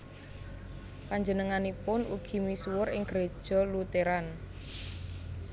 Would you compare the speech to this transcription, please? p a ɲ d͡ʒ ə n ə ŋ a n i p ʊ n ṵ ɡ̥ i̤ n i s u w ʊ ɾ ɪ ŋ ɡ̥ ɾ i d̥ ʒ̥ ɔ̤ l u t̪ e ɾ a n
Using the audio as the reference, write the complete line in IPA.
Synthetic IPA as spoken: p a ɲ d͡ʒ ə n ə ŋ a n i p ʊ n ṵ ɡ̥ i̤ m i s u w ʊ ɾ ɪ ŋ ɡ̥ ɾ e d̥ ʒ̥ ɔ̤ l u t̪ e ɾ a n